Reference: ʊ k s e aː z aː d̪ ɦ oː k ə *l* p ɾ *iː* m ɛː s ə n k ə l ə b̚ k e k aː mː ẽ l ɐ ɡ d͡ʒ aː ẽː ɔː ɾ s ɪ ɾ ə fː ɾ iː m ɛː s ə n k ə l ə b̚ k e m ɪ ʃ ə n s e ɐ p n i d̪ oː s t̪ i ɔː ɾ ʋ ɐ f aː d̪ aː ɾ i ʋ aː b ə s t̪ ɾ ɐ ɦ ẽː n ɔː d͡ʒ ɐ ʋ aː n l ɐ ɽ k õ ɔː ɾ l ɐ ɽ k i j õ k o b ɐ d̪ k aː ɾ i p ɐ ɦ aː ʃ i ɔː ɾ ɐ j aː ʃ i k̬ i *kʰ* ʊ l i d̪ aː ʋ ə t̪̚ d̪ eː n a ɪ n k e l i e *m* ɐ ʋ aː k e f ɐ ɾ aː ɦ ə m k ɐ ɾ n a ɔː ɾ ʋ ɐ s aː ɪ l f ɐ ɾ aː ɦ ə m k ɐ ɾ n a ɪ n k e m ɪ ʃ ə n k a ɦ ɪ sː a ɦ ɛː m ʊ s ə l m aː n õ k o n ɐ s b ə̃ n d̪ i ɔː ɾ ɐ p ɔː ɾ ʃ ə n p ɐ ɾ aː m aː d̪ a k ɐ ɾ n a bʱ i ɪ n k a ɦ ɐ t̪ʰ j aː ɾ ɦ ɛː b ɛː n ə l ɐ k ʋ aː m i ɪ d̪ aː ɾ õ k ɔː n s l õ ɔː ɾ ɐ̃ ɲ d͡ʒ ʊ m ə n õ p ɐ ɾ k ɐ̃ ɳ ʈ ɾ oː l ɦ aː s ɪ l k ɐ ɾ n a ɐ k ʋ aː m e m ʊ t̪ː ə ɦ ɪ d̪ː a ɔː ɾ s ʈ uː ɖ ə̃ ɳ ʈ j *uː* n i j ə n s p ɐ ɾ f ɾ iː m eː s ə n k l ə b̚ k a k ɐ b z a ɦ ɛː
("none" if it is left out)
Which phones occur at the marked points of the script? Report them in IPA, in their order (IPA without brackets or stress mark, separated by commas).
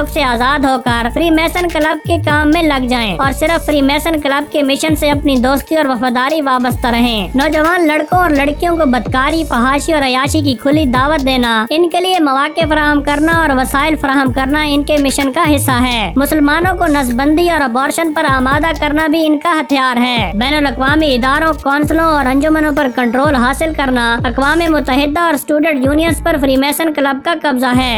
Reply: ɾ, iː, kʰ, m, uː